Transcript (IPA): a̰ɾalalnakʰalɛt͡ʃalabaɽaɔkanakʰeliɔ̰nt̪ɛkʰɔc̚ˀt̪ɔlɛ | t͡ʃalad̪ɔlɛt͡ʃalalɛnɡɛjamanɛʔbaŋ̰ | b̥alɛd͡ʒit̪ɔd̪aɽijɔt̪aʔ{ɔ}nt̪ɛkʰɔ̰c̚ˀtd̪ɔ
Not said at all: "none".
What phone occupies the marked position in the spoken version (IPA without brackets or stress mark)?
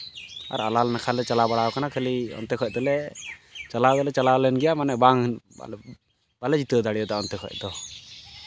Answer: ɔ